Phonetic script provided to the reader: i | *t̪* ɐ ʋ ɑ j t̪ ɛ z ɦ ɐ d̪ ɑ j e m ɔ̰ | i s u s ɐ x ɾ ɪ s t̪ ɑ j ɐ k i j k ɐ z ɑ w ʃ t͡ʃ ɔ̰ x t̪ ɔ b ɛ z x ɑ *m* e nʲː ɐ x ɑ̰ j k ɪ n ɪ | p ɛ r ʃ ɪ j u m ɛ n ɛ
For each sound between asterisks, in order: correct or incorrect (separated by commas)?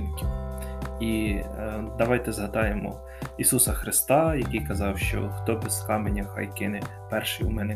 incorrect, correct